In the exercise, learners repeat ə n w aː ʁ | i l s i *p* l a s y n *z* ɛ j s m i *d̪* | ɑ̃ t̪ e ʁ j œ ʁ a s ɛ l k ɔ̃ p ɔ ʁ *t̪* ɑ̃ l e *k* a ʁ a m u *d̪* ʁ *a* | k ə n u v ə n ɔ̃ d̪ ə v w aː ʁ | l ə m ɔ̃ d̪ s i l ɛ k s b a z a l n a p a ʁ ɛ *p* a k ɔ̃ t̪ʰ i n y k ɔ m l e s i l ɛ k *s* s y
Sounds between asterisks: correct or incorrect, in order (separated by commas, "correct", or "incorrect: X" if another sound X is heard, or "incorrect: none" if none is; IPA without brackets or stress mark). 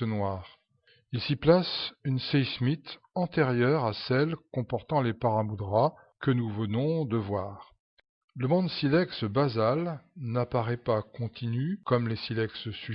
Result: correct, incorrect: s, incorrect: t̪, correct, incorrect: p, correct, correct, correct, correct